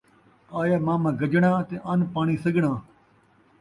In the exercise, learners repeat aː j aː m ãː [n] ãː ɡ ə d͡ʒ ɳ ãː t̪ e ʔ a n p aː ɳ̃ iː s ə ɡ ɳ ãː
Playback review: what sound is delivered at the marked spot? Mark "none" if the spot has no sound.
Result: m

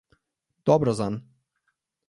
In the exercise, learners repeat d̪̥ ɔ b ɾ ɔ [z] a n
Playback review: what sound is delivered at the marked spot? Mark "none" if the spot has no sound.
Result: z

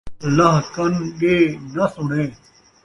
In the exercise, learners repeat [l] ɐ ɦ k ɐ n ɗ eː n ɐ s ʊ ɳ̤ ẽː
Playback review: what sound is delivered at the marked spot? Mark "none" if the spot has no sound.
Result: l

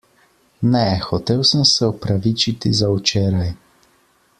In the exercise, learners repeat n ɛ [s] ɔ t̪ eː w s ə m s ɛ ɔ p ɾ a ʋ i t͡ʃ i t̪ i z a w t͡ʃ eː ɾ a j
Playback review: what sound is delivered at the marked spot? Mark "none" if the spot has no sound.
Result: x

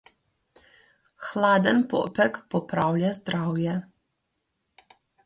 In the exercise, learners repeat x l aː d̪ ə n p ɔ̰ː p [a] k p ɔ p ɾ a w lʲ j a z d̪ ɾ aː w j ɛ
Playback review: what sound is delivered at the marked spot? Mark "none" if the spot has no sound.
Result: ɛ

